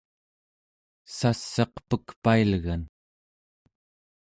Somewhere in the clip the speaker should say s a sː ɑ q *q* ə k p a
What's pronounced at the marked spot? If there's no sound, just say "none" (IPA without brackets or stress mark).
p